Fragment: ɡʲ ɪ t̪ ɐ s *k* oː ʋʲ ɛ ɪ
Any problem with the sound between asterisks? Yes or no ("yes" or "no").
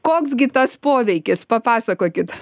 yes